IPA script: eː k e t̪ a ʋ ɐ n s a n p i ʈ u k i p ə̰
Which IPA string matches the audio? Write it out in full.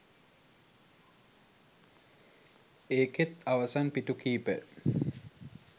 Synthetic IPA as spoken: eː k e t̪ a ʋ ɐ s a n p i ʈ u k iː p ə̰

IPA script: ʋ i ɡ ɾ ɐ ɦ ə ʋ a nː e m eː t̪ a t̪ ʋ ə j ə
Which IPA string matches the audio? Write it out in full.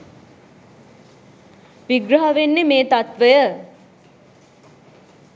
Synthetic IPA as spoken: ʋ i ɡ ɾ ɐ ɦ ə ʋ e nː e m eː t̪ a t̪ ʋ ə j ə

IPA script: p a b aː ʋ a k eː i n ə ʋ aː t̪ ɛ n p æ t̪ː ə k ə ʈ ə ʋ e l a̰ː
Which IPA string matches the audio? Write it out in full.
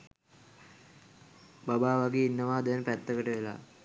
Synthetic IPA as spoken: b a b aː ʋ a ɡ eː i nː ə ʋ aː d̪ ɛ n p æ t̪ː ə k ə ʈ ə ʋ e l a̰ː

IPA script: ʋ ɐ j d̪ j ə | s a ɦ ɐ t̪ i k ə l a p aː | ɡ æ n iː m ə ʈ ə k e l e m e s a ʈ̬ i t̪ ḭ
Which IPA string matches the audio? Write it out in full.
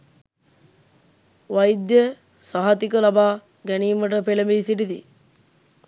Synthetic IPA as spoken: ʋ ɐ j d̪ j ə | s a ɦ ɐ t̪ i k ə l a b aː | ɡ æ n iː m ə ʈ ə p e l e m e s i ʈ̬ i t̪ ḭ

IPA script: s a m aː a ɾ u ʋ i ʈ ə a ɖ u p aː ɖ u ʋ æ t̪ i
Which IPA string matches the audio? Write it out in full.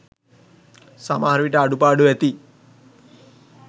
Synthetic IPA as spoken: s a m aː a ɾ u ʋ i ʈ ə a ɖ u p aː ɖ u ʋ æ t̪ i

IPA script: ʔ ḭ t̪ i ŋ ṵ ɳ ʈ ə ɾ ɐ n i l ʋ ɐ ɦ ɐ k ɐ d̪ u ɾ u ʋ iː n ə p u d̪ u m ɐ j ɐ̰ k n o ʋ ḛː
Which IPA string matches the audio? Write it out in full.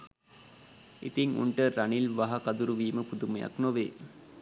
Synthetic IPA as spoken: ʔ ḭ t̪ i ŋ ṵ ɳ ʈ ə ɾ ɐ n i l ʋ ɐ ɦ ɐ k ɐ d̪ u ɾ u ʋ iː m ə p u d̪ u m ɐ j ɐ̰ k n o ʋ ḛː

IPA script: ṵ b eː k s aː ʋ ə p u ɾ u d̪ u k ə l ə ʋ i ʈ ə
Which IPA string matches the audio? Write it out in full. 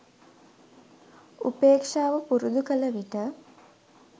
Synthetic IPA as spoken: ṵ p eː k ʂ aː ʋ ə p u ɾ u d̪ u k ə l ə ʋ i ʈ ə

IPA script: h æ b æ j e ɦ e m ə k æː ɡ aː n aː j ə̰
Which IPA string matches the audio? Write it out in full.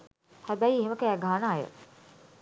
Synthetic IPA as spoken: h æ b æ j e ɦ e m ə k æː ɡ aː n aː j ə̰

